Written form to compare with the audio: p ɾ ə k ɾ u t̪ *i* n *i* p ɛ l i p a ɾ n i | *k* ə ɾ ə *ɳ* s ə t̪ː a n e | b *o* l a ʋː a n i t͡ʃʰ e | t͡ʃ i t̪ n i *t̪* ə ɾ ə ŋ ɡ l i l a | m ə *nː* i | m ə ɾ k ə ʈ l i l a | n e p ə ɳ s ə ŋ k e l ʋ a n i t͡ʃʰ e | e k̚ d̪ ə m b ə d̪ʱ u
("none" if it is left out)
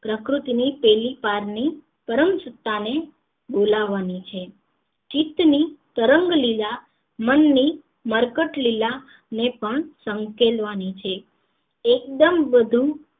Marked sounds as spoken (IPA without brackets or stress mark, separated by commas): i, i, p, m, o, t̪, nː